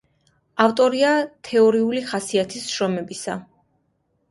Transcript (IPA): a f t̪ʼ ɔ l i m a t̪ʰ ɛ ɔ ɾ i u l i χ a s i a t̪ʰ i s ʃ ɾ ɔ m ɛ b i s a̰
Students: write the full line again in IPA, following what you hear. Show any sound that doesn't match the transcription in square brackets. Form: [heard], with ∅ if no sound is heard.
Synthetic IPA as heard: a f t̪ʼ ɔ [ɾ] i [∅] a t̪ʰ ɛ ɔ ɾ i u l i χ a s i a t̪ʰ i s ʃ ɾ ɔ m ɛ b i s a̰